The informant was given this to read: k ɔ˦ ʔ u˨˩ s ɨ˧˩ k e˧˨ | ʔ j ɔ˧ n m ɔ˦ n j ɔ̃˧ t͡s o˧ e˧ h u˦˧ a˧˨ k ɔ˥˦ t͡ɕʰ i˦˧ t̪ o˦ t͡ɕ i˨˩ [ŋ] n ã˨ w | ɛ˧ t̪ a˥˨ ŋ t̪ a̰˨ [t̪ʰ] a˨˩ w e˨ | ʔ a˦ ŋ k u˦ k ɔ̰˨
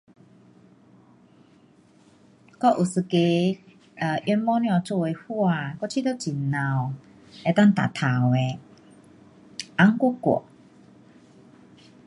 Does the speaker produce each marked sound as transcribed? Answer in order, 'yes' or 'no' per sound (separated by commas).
no, yes